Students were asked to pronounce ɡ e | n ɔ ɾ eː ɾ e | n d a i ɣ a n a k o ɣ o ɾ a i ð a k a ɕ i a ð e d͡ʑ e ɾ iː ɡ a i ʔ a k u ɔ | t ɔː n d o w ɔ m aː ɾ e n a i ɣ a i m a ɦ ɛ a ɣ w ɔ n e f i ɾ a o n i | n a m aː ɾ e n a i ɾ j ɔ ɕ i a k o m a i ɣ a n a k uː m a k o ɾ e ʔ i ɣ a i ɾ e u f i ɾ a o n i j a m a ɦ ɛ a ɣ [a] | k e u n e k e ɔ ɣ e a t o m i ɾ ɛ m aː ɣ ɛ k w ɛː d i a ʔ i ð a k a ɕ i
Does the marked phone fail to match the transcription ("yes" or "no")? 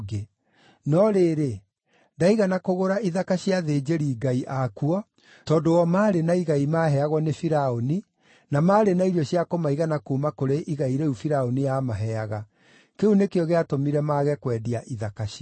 no